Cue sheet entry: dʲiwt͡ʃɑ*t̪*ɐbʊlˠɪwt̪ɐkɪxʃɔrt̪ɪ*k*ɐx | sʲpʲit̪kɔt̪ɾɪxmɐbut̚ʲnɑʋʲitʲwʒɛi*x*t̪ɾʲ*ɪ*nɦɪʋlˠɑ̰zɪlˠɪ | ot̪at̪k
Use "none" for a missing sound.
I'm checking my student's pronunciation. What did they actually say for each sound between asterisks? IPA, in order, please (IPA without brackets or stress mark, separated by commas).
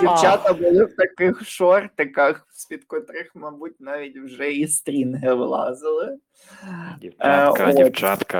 t̪, k, s, i